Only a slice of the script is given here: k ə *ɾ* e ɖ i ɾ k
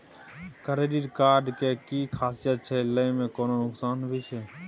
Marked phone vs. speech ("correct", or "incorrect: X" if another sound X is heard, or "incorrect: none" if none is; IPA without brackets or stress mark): correct